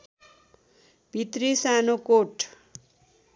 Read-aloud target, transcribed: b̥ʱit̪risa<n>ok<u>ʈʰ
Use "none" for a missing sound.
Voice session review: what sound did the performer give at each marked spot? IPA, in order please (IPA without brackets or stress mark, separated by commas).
n, o